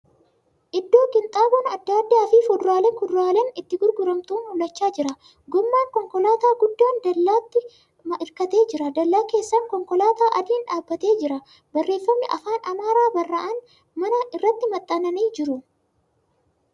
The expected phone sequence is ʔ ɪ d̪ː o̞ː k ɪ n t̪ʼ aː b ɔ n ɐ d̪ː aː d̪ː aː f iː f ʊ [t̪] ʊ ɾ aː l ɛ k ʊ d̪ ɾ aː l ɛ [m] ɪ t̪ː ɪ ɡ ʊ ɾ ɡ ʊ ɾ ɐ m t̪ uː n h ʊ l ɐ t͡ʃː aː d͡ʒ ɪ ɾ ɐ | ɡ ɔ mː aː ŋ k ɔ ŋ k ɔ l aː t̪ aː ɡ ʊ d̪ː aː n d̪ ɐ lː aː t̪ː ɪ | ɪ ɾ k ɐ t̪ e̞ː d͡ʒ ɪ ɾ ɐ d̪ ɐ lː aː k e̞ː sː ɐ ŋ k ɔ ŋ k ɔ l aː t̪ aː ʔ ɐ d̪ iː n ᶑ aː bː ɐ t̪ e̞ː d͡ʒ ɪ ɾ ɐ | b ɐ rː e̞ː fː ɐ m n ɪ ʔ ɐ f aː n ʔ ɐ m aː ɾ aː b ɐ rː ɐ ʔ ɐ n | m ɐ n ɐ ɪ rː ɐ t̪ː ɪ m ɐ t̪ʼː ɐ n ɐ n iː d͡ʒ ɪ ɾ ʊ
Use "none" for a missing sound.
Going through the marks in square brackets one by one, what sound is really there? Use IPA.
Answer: d̪, n

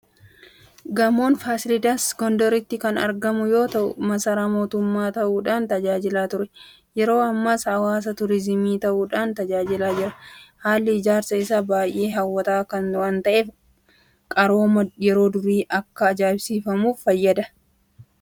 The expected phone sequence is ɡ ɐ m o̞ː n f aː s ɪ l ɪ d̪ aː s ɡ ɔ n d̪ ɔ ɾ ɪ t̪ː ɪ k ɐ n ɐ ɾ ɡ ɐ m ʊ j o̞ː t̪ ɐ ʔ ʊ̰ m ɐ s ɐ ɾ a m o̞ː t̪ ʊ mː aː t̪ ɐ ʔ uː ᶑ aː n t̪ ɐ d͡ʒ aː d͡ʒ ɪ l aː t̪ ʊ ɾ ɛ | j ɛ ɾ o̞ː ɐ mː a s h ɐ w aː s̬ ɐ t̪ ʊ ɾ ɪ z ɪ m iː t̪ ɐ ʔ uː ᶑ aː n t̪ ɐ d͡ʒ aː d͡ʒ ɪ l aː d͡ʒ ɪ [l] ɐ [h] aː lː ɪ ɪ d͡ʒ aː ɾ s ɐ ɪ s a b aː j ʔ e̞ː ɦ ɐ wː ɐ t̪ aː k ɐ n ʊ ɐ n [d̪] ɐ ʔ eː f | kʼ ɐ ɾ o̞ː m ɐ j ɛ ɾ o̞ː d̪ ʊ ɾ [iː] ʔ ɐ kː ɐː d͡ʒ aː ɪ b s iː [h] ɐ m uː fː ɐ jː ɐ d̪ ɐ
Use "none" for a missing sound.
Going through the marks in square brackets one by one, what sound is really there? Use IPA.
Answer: ɾ, h, t̪, iː, f

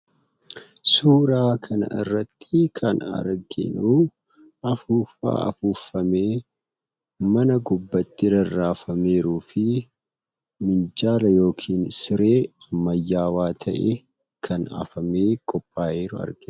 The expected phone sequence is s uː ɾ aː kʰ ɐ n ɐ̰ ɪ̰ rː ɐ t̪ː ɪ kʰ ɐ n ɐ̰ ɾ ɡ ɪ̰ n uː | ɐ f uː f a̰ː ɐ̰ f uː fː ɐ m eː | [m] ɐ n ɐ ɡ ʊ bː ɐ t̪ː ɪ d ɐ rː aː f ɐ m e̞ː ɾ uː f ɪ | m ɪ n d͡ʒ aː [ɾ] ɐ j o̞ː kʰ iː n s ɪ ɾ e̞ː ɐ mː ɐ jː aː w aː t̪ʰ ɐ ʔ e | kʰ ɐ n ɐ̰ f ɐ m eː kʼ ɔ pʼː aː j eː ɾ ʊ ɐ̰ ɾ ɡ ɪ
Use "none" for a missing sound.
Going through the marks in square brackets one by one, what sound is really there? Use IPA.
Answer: m, l

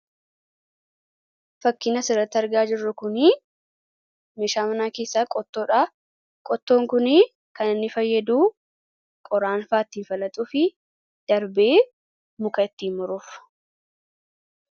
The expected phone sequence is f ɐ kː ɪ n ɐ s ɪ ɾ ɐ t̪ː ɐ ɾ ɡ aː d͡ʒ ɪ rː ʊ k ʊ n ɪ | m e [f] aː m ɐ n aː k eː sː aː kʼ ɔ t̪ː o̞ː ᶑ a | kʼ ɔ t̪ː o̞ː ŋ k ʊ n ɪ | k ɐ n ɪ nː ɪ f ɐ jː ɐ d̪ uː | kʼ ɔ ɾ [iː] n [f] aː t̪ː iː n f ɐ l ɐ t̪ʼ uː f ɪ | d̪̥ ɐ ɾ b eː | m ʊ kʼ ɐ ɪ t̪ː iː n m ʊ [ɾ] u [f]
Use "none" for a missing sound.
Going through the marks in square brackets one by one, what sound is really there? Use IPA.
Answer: ʃ, aː, f, ɾ, f

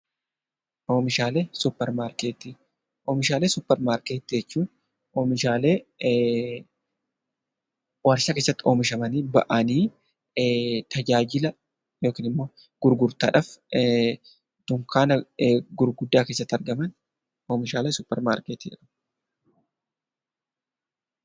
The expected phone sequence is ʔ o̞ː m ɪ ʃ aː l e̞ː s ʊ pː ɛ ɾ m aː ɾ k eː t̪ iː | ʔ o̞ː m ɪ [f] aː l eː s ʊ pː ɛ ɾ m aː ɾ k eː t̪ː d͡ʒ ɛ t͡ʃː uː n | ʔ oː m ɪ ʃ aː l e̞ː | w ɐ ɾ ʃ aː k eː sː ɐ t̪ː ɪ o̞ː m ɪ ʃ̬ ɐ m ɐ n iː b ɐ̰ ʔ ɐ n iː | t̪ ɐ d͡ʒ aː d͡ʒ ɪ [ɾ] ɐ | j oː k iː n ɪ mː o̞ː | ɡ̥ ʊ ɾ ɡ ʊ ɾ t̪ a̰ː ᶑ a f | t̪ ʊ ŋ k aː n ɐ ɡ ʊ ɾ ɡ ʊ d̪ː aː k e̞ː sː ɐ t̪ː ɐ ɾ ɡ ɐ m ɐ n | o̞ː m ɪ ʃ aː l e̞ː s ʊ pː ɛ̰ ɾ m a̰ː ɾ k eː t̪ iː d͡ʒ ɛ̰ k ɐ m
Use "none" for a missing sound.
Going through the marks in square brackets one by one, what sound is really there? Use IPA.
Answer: ʃ, l

